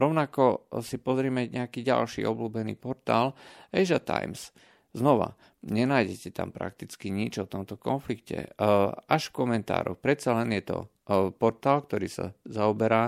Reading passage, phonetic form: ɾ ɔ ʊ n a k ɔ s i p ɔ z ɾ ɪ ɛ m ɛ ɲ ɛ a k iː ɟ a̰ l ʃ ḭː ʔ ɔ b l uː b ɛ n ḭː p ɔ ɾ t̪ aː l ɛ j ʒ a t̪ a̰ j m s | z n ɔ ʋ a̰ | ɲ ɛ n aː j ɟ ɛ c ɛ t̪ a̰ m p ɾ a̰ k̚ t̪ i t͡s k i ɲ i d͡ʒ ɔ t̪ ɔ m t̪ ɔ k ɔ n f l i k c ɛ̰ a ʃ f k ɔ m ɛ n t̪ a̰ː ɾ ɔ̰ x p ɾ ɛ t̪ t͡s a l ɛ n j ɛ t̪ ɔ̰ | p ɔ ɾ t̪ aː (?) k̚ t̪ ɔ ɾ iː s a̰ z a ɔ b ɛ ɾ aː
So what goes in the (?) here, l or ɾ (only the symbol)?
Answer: l